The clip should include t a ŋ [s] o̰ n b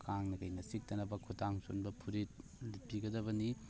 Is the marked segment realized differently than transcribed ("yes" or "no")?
no